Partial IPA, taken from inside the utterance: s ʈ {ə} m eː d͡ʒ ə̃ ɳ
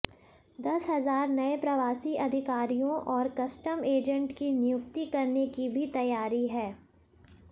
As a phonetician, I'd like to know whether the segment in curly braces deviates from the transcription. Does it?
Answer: no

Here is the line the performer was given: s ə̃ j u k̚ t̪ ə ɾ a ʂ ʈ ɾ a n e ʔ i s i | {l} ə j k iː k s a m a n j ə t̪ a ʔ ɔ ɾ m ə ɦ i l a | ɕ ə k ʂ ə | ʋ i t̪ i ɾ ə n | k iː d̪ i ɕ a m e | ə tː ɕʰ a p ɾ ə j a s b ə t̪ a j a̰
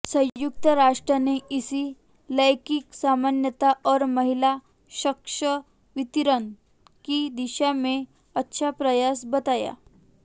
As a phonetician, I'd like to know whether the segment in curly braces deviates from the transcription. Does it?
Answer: no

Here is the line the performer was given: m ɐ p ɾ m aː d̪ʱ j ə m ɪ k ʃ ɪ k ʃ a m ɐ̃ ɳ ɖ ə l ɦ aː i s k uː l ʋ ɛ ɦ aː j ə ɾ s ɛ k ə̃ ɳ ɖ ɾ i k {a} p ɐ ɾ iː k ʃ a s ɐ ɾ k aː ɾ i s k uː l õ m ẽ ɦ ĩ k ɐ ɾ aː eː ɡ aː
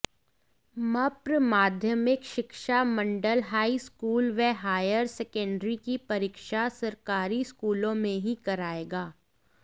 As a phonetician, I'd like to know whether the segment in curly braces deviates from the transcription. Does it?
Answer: yes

